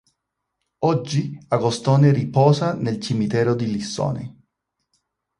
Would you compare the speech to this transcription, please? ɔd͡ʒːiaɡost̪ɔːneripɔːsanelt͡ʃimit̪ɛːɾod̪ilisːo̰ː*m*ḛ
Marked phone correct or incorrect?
incorrect